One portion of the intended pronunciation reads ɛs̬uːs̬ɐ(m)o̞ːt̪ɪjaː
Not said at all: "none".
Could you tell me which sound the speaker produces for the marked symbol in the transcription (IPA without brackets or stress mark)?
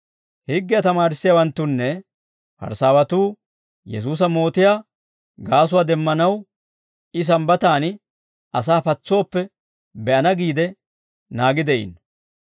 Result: m